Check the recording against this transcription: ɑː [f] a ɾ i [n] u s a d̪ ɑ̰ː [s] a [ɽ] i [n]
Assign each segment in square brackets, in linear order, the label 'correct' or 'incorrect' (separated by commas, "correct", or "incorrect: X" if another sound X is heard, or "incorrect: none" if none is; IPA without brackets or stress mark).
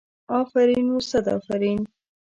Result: correct, correct, incorrect: f, incorrect: ɾ, correct